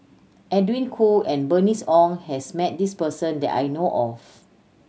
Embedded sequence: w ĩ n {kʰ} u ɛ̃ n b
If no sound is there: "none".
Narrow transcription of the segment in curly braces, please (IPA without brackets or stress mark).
kʰ